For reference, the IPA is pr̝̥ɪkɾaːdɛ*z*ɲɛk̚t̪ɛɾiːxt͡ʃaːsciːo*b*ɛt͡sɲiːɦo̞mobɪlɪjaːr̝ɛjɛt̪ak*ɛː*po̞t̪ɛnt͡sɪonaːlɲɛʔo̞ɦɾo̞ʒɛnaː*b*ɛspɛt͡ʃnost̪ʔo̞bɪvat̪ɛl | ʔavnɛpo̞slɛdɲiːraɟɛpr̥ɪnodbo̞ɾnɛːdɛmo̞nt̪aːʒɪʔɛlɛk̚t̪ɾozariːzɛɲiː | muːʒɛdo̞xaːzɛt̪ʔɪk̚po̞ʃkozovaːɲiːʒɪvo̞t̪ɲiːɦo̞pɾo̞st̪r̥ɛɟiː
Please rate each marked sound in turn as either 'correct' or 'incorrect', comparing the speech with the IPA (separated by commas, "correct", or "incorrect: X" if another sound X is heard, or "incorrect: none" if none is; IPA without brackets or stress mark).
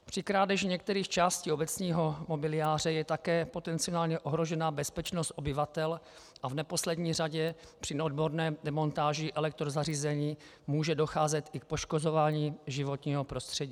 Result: incorrect: ʒ, correct, correct, correct